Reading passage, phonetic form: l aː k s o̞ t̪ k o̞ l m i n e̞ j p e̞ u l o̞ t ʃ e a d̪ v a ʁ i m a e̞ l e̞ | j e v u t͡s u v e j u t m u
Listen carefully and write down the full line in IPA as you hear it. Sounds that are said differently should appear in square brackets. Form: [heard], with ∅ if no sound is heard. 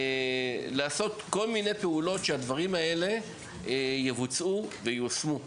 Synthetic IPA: l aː [∅] s o̞ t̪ k o̞ l m i n e̞ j p e̞ u l o̞ t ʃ e a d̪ v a ʁ i m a e̞ l e̞ | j e v u t͡s u v e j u [s] m u